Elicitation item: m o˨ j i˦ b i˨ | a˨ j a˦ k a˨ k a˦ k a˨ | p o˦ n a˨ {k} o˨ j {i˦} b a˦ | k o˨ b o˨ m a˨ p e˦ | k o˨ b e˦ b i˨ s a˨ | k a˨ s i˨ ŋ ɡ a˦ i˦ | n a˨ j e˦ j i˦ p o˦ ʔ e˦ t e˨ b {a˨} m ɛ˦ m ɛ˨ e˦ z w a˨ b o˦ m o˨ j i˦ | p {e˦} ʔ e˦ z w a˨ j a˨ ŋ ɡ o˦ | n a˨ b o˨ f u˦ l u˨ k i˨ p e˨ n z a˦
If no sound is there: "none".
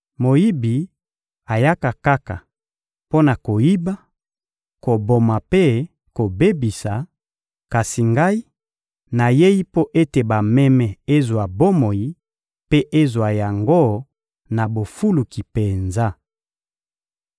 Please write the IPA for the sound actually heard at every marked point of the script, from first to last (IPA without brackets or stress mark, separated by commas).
k, i˦, a˨, e˦